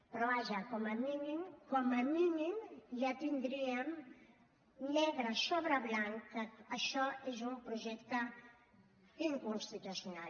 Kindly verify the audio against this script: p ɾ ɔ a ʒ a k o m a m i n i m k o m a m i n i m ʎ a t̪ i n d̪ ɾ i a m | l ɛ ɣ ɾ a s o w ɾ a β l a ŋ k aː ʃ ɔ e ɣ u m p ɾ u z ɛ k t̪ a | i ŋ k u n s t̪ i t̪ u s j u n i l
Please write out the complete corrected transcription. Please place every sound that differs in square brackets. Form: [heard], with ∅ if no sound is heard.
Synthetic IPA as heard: p ɾ ɔ a ʒ a k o m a m i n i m k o m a m i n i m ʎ a t̪ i n d̪ ɾ i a m | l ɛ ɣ ɾ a s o [β] ɾ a β l a ŋ k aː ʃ ɔ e [z] u m p ɾ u [ʒ] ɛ k t̪ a | i ŋ k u n s t̪ i t̪ u s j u n [a] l